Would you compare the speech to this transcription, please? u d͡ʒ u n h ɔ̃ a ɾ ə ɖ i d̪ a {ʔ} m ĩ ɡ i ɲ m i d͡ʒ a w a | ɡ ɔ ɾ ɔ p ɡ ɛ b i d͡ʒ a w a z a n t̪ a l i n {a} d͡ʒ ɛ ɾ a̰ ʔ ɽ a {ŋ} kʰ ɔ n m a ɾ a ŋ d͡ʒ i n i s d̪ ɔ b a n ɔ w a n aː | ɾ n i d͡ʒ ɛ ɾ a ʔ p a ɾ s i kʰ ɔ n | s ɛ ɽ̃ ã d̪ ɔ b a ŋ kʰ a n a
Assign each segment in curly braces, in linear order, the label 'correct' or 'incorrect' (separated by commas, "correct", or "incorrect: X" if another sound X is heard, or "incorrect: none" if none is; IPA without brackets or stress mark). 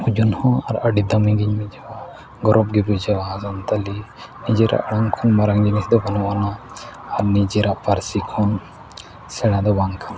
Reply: incorrect: none, incorrect: i, correct